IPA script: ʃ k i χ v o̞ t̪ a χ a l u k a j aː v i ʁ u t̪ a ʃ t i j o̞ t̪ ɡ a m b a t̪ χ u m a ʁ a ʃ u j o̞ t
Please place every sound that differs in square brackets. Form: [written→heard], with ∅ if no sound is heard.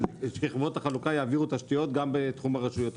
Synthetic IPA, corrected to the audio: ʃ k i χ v o̞ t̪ a χ a l u k a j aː v i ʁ u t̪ a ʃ t i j o̞ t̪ ɡ a m b [a→e] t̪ χ u m a ʁ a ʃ u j o̞ t